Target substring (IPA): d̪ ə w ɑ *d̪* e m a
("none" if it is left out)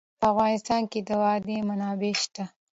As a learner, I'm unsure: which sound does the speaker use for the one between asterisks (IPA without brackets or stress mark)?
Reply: d̪